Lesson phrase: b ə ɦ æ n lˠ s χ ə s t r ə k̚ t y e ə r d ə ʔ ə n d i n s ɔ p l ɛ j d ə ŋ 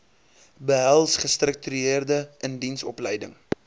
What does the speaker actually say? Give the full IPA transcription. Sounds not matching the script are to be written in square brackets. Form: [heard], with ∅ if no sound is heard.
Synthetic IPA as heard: b ə ɦ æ [∅] lˠ s χ ə s t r ə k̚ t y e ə r d ə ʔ ə n d i n s ɔ p l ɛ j d ə ŋ